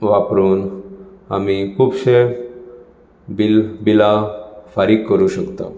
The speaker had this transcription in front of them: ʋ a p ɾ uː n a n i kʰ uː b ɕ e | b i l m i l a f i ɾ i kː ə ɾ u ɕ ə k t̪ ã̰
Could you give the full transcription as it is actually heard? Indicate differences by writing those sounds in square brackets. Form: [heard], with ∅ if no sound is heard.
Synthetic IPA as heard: ʋ a p ɾ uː n a [m] i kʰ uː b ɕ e | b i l [b] i l a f [a] ɾ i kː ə ɾ u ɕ ə k t̪ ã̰

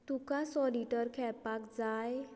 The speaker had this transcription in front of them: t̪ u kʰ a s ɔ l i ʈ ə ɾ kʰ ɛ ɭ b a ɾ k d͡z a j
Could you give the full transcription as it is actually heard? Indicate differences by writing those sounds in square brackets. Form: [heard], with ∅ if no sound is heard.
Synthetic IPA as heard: t̪ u [k] a s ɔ l i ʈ ə ɾ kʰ ɛ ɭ [p] a [∅] k d͡z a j

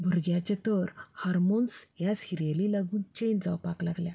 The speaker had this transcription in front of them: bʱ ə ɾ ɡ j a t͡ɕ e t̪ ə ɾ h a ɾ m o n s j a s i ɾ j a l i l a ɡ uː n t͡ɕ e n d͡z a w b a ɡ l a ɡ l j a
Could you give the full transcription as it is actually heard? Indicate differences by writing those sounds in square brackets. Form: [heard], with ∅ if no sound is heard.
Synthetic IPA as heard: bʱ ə ɾ ɡ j a t͡ɕ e t̪ ə ɾ h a ɾ m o n s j a s i ɾ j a l i l a ɡ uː n t͡ɕ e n d͡z a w [p] a [k] l a ɡ l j a

